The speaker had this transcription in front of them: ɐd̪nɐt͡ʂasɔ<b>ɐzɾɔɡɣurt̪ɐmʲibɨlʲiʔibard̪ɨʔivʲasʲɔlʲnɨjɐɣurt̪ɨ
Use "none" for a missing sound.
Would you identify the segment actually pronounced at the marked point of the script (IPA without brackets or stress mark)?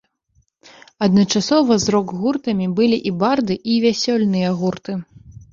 v